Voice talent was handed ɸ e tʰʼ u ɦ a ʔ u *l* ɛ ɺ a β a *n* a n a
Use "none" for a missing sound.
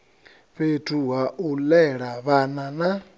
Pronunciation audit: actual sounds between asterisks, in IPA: l, n

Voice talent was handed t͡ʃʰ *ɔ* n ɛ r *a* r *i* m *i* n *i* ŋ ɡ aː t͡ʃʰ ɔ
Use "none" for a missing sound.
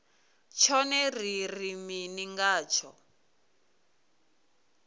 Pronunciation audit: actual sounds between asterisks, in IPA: ɔ, i, i, i, i

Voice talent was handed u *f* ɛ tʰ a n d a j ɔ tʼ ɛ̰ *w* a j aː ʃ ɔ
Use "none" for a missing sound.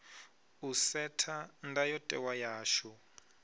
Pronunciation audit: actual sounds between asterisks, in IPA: s, w

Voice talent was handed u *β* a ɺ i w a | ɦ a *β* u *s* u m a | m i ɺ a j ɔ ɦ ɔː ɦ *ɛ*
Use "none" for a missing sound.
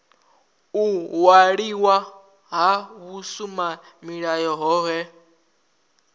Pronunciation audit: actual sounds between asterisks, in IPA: w, β, s, ɛ

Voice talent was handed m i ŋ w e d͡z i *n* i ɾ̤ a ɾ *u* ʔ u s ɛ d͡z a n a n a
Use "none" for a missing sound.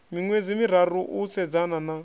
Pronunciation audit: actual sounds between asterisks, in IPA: m, u

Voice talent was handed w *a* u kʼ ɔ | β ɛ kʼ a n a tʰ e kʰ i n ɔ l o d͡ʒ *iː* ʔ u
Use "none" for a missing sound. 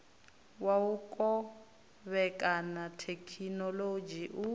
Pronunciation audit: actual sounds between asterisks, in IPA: a, i

